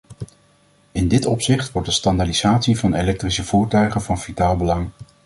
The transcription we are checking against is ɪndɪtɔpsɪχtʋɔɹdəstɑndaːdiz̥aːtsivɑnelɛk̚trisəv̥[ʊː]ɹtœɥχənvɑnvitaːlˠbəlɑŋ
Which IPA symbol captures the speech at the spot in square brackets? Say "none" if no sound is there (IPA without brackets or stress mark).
uː